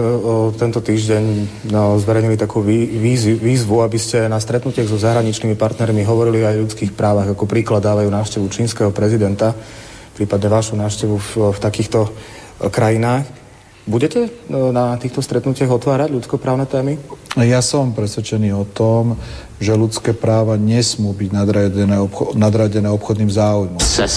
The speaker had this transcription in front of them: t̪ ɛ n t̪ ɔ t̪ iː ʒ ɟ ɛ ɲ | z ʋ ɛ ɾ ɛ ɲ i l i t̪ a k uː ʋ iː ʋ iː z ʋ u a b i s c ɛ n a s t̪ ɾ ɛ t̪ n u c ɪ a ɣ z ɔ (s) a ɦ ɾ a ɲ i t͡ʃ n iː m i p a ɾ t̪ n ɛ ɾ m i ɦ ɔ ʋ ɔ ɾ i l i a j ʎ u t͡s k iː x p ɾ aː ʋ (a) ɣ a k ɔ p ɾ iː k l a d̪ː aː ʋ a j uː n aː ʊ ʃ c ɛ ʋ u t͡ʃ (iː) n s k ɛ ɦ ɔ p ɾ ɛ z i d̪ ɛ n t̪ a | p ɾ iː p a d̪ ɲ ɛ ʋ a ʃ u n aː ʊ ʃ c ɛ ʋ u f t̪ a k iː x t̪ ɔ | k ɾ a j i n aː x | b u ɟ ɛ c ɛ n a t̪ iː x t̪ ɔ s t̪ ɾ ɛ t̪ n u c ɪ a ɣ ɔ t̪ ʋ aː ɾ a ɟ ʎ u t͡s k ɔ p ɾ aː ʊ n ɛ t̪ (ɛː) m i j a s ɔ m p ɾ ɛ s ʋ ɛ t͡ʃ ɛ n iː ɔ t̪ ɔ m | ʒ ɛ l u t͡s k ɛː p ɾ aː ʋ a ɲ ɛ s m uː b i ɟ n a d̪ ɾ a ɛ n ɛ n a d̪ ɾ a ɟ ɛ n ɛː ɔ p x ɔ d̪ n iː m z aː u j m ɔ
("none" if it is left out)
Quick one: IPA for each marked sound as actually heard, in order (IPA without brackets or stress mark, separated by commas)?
z, a, iː, ɛː